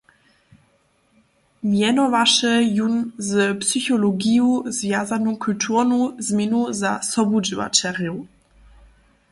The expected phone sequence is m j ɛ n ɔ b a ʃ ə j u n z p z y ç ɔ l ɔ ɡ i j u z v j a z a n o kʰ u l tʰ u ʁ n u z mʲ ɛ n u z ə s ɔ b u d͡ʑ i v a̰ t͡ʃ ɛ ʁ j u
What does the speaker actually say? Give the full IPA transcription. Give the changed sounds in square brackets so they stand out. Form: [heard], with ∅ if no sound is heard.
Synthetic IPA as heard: m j ɛ n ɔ [v] a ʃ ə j u n z p [s] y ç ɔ l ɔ ɡ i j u z v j a z a n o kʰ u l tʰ u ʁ n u z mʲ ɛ n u z [a] s ɔ b u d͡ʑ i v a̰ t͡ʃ ɛ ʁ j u